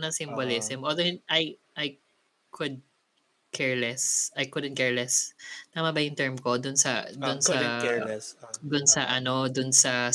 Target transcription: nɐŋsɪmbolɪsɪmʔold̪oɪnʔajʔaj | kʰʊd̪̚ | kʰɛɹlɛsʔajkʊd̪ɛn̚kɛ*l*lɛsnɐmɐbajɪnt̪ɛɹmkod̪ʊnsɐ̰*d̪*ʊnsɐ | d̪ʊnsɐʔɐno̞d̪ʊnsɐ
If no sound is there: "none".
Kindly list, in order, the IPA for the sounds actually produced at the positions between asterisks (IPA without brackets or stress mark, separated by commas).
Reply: ɹ, d̪